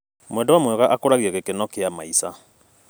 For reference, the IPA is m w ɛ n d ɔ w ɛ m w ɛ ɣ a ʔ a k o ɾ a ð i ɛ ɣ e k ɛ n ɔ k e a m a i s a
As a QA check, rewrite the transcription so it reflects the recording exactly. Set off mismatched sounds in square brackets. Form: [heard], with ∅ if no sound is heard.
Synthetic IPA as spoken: m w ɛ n d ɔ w [a] m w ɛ ɣ a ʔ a k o ɾ a [ɣ] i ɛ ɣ e k [e] n ɔ k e a m a i s a